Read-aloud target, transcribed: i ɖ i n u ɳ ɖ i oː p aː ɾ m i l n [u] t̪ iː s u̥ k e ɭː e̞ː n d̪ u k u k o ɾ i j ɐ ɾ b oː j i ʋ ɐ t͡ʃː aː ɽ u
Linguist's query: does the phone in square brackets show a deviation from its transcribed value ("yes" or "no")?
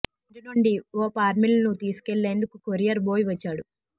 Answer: no